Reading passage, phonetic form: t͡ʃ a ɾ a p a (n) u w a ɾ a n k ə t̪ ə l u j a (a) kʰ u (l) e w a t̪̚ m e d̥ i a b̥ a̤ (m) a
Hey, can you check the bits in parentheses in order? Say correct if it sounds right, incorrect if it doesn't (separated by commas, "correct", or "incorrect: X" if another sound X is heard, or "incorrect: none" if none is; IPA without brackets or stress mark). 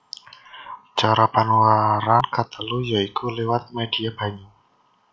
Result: correct, incorrect: i, correct, incorrect: ɲ